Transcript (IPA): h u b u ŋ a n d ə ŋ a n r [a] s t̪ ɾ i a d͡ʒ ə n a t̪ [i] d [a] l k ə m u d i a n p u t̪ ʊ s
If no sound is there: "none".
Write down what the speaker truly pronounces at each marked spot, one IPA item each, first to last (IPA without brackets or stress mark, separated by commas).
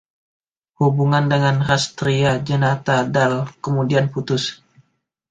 a, a, a